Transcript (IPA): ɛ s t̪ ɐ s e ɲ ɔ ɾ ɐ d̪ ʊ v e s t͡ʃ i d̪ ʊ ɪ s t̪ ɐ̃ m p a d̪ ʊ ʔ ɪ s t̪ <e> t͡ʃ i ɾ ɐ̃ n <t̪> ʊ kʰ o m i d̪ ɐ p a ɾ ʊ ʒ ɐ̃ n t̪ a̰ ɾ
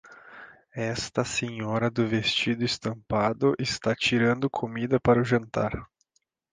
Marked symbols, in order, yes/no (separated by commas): no, no